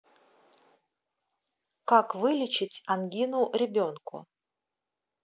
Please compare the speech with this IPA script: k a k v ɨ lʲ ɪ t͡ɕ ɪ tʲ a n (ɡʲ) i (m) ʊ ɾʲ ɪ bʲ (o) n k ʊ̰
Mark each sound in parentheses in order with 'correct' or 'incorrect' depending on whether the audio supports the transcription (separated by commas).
correct, incorrect, correct